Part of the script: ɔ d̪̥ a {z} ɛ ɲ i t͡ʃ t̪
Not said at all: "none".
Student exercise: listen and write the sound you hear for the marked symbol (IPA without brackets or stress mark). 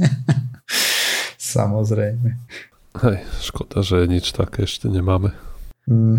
ʒ